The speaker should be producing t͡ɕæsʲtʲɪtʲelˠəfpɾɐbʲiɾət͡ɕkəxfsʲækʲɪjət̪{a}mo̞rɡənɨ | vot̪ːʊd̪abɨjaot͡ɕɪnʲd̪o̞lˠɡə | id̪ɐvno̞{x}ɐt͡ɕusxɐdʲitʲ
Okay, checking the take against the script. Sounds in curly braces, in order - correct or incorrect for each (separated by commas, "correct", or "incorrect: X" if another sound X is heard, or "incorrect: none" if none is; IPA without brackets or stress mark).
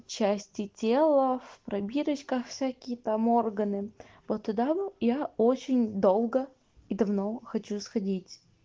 correct, correct